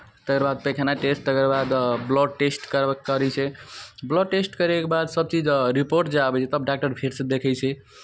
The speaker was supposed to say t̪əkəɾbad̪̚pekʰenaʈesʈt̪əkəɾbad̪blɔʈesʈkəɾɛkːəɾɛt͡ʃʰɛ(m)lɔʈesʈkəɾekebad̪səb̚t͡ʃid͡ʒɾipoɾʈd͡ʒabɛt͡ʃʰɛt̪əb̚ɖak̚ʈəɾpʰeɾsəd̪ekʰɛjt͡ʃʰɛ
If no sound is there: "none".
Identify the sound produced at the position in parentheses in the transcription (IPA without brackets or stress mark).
b